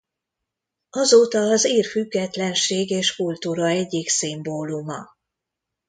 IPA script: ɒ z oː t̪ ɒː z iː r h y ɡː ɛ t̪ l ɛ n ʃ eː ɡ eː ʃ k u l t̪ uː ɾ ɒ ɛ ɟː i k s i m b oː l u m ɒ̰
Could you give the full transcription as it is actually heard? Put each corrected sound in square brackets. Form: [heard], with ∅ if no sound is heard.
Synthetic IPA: ɒ z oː t̪ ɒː z iː r [f] y ɡː ɛ t̪ l ɛ n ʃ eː ɡ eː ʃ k u l t̪ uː ɾ ɒ ɛ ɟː i k s i m b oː l u m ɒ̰